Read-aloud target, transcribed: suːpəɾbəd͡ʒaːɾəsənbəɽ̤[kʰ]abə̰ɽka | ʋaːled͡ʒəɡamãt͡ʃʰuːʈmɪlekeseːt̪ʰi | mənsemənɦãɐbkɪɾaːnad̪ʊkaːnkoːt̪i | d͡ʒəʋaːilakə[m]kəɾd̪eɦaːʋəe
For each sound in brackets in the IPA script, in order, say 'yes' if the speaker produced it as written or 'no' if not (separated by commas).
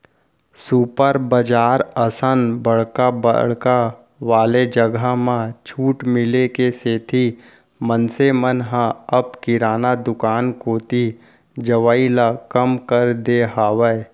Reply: no, yes